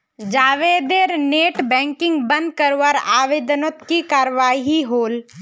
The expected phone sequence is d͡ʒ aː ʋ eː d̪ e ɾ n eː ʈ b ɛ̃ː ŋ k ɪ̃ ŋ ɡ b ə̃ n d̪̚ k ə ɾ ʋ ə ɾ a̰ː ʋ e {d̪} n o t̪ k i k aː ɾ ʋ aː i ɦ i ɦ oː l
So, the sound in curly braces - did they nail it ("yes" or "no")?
yes